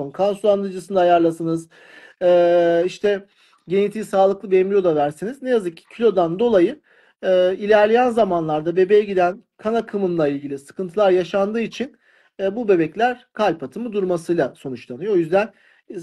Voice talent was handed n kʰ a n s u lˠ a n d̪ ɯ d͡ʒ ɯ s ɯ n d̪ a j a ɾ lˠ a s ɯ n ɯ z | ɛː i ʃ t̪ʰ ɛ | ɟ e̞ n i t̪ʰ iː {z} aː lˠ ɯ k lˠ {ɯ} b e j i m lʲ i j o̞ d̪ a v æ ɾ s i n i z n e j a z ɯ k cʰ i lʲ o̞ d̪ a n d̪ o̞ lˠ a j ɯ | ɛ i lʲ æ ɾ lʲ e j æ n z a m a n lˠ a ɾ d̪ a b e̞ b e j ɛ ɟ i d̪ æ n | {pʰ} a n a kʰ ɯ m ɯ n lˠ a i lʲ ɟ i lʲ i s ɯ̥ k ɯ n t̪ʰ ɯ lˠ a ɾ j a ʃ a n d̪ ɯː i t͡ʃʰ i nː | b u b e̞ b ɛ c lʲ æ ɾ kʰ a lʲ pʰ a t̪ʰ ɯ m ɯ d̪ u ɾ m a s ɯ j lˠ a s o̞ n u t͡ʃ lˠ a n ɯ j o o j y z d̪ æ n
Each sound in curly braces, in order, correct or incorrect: incorrect, correct, incorrect

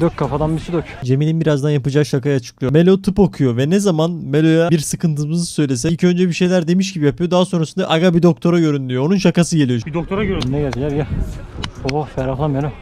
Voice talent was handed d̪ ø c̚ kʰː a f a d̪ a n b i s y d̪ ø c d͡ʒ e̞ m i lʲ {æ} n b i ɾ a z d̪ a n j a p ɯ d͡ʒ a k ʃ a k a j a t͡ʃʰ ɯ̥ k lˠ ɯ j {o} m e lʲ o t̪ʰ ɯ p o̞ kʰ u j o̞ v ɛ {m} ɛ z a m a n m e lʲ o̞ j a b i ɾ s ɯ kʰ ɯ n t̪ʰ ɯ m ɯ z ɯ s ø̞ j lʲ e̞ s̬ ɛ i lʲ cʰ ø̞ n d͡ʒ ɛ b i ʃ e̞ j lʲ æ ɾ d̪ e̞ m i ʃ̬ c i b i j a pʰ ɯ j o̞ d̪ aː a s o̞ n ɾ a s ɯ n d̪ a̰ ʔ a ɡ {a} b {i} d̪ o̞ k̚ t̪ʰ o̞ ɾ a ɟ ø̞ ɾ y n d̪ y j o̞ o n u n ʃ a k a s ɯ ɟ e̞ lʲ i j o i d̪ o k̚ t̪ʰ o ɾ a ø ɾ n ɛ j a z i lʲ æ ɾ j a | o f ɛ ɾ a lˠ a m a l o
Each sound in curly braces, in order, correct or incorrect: incorrect, correct, incorrect, correct, correct

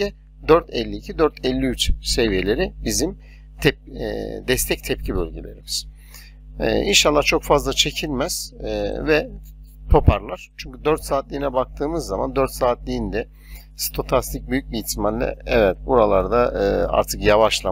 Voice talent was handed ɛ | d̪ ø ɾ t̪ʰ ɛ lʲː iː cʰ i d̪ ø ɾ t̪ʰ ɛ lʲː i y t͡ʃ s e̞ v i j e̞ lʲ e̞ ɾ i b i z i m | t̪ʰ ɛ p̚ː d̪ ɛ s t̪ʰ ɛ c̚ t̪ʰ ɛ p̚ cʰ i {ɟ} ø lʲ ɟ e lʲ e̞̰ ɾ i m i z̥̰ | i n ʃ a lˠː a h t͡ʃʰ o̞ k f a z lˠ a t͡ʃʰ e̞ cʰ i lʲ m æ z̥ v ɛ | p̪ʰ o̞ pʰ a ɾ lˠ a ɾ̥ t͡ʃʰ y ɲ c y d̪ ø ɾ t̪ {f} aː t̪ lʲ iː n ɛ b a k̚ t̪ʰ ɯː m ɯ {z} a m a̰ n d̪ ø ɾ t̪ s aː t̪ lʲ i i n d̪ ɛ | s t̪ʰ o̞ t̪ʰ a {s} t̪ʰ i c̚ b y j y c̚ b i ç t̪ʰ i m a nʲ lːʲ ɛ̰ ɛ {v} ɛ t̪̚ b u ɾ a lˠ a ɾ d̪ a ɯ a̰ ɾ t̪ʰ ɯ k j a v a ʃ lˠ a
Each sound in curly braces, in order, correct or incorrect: incorrect, incorrect, incorrect, correct, correct

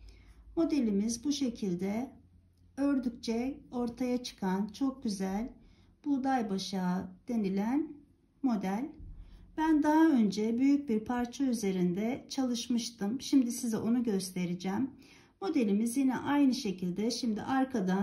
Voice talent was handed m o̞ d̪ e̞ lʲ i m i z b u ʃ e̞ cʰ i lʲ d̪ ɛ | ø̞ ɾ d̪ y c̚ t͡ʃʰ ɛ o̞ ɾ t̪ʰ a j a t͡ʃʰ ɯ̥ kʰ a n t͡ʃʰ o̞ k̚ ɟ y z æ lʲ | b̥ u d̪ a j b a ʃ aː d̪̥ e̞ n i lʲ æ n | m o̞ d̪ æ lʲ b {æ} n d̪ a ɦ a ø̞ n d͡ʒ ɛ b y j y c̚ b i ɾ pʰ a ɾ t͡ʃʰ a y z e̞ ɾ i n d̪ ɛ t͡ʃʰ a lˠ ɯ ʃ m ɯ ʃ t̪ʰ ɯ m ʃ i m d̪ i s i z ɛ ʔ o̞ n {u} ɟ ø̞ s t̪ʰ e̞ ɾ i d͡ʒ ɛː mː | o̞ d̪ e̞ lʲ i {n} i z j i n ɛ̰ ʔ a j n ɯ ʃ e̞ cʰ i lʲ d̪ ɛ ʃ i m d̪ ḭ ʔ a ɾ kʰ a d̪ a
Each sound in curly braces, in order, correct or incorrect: correct, correct, incorrect

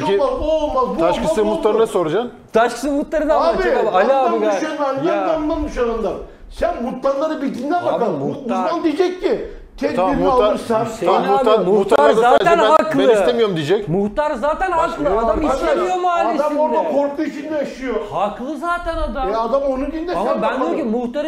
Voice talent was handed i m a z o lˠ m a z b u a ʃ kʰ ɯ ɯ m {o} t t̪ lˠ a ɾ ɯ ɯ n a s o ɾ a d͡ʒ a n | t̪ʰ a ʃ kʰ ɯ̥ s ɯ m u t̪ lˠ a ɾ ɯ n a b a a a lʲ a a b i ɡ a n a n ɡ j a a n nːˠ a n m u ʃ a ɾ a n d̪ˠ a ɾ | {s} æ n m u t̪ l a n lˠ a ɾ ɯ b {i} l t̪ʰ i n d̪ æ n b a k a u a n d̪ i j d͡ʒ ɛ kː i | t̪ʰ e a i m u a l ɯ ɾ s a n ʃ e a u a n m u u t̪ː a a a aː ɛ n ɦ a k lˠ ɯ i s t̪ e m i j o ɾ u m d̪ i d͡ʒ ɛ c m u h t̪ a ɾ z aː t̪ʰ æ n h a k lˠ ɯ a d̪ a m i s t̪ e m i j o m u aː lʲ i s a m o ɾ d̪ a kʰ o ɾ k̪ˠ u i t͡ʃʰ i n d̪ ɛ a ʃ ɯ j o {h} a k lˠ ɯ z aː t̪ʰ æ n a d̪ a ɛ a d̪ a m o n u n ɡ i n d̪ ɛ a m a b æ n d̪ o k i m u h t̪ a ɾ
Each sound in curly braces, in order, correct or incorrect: incorrect, correct, correct, correct

